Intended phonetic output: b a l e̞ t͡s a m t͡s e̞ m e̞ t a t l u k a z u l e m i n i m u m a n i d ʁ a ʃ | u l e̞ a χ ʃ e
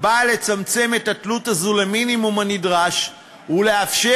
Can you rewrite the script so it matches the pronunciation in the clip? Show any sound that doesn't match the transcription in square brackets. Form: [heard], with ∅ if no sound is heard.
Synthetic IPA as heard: b a l e̞ t͡s a m t͡s e̞ m e̞ t a t l u [t] a z u l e m i n i m u m a n i d ʁ a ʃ | u l e̞ a [f] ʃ e